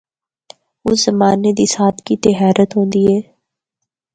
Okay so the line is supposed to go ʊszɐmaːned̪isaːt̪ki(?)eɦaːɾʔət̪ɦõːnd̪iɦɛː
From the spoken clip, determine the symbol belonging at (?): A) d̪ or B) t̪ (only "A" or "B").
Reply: B